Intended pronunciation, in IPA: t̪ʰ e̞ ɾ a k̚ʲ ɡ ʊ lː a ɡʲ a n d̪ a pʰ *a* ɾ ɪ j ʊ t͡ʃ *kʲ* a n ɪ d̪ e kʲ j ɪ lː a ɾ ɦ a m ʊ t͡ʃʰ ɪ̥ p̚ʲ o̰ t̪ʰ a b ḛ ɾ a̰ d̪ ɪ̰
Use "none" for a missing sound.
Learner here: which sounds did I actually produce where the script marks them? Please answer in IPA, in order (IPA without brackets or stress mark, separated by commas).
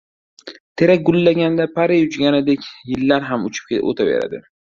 a, ɡʲ